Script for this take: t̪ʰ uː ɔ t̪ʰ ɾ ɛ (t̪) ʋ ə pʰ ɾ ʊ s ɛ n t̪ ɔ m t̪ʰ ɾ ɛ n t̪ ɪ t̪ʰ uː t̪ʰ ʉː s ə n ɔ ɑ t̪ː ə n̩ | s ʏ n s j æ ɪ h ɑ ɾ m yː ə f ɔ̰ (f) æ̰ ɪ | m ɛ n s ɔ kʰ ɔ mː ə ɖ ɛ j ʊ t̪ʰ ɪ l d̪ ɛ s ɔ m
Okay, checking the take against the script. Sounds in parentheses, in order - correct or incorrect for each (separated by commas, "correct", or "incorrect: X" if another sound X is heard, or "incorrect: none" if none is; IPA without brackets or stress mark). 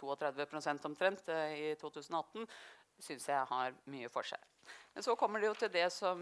incorrect: d̪, incorrect: ʂ